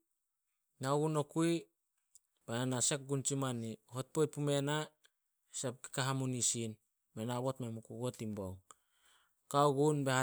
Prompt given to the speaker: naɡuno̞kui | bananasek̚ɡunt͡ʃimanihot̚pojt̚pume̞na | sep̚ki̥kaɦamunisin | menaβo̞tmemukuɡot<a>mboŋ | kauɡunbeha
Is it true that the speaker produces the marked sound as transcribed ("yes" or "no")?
no